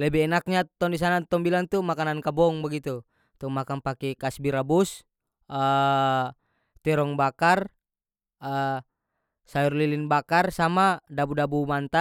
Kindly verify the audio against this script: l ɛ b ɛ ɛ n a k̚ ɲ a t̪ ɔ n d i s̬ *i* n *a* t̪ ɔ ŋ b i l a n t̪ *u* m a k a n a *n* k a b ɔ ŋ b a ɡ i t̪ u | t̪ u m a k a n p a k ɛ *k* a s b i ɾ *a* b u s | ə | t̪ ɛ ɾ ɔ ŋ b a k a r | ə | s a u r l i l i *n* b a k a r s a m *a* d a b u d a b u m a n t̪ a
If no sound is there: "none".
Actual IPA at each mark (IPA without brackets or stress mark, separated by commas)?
a, a, u, n, k, a, n, a